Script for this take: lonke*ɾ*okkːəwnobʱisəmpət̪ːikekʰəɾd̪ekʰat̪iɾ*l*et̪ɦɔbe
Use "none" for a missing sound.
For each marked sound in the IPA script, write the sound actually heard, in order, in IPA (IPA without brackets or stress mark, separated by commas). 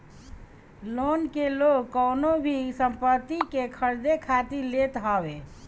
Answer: l, l